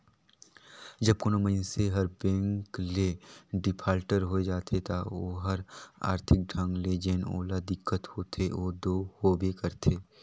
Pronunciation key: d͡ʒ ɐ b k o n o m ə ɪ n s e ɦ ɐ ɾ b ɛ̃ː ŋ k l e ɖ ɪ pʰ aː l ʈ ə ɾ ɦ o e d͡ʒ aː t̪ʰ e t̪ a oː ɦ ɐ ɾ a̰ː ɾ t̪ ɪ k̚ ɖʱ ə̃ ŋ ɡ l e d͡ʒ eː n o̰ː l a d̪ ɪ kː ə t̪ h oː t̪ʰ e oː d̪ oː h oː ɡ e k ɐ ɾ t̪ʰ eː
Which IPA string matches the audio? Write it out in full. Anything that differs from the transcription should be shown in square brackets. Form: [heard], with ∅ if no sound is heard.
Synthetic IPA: d͡ʒ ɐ b k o n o m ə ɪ n s e ɦ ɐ ɾ b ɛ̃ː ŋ k l e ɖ ɪ pʰ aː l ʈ ə ɾ ɦ o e d͡ʒ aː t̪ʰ e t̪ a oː ɦ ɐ ɾ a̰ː ɾ [t̪ʰ] ɪ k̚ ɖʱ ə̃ ŋ ɡ l e d͡ʒ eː n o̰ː l a d̪ ɪ kː ə t̪ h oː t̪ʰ e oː d̪ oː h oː [b] e k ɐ ɾ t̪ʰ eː